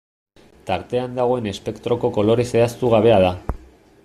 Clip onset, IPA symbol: t̪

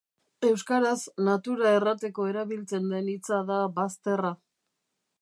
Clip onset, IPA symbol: e̞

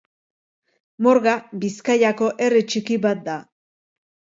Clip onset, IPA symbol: m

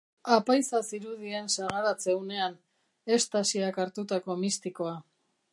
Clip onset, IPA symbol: a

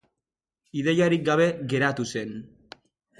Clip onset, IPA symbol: i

